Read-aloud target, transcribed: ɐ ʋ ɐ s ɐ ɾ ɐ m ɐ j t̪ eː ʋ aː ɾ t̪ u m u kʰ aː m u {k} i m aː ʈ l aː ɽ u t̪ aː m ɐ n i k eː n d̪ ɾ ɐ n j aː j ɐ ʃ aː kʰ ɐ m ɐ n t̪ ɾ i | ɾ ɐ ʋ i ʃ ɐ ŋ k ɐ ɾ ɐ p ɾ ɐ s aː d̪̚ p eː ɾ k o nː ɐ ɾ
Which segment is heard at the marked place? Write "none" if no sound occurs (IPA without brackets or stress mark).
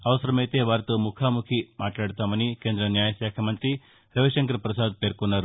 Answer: kʰ